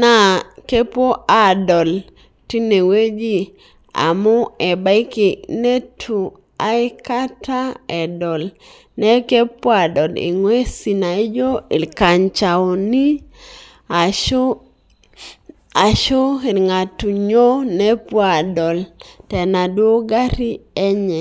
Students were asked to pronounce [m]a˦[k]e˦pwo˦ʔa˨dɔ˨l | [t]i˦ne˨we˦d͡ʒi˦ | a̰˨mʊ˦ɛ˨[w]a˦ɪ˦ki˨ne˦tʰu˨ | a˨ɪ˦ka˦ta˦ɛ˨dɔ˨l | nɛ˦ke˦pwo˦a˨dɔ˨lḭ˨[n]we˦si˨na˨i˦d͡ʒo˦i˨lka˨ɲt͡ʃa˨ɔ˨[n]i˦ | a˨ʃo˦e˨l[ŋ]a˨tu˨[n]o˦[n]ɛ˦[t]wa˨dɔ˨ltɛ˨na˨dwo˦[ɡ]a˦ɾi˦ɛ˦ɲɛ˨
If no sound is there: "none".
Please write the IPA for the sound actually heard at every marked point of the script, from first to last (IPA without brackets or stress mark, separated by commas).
n, k, t, b, ŋ, n, ŋ, ɲ, n, p, ɡ